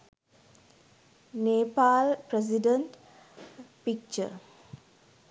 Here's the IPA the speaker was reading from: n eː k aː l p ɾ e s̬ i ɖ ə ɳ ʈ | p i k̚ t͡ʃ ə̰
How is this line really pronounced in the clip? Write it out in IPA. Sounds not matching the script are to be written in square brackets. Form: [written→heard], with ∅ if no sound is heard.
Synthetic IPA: n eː [k→p] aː l p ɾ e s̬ i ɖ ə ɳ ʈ | p i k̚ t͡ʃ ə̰